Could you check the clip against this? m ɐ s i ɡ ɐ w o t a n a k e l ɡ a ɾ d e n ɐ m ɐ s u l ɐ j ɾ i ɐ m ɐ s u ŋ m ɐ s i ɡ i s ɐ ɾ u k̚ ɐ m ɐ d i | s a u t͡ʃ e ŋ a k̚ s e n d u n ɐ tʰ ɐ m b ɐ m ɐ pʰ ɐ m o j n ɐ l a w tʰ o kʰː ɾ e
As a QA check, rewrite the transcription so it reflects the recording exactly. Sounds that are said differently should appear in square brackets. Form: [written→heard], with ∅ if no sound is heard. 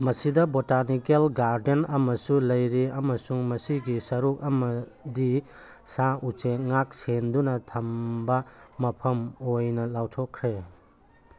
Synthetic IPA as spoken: m ɐ s i [ɡ→d] ɐ [w→b] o t a n [a→i] k e l ɡ a ɾ d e n ɐ m ɐ s u l ɐ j ɾ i ɐ m ɐ s u ŋ m ɐ s i ɡ i s ɐ ɾ u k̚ ɐ m ɐ d i | s a u t͡ʃ e ŋ a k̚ s e n d u n ɐ tʰ ɐ m b ɐ m ɐ pʰ ɐ m o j n ɐ l a w tʰ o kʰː ɾ e